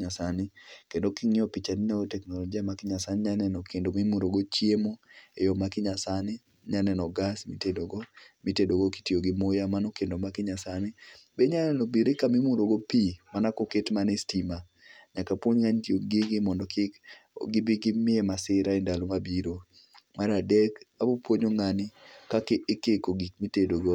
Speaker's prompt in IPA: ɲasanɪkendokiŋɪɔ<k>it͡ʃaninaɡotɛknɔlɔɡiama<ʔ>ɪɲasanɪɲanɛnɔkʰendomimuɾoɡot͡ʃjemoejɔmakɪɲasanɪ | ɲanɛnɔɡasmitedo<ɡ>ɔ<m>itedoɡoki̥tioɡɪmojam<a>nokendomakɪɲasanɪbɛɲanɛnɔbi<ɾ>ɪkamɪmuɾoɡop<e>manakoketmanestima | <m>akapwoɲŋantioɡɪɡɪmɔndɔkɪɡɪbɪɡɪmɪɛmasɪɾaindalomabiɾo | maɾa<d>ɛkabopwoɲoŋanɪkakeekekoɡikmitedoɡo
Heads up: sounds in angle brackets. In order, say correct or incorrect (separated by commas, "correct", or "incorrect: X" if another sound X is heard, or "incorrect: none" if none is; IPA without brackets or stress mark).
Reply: incorrect: p, incorrect: k, correct, correct, correct, correct, incorrect: i, incorrect: ɲ, correct